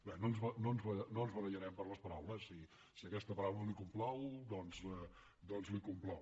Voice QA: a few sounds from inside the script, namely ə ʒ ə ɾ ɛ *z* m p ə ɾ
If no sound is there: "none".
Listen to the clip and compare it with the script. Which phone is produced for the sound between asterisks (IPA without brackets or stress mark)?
none